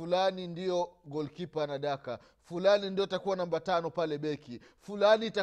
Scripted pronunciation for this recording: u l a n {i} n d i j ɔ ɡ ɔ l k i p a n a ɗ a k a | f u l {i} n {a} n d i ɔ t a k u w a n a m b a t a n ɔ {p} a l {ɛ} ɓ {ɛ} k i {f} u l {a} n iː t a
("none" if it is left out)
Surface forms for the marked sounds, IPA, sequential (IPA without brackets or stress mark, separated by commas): i, a, i, p, ɛ, ɛ, f, a